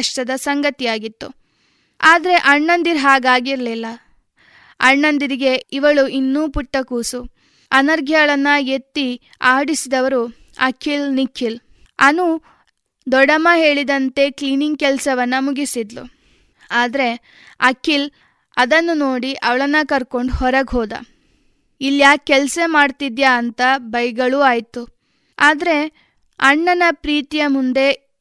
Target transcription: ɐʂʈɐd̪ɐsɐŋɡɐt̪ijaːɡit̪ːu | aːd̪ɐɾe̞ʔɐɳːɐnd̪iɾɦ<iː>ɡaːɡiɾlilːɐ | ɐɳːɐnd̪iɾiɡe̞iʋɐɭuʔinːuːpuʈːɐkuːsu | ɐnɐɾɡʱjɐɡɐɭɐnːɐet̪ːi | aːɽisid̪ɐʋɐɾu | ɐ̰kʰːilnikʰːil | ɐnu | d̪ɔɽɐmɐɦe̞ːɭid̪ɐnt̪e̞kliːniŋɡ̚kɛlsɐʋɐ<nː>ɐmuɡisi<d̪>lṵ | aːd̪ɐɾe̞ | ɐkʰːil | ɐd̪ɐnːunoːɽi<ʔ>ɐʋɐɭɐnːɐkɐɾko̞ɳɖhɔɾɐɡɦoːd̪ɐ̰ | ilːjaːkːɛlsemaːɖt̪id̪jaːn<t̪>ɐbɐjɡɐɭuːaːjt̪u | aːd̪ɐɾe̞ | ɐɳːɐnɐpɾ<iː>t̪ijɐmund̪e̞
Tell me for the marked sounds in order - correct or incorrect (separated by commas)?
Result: incorrect, correct, correct, correct, correct, correct